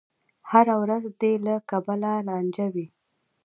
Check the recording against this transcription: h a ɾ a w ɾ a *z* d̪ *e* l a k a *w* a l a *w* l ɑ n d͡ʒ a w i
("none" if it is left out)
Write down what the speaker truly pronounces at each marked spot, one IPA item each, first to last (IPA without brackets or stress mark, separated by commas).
z, e, b, none